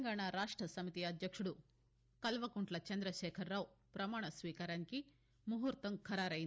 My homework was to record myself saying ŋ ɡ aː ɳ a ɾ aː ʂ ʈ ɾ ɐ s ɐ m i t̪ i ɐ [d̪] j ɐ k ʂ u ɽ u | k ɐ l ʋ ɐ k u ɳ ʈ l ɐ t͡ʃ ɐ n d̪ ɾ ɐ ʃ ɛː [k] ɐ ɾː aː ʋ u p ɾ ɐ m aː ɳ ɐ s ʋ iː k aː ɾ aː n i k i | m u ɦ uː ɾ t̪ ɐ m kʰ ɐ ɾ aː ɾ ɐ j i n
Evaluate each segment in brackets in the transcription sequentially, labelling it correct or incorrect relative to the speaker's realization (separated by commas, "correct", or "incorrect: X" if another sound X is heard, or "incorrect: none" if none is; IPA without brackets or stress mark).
correct, incorrect: kʰ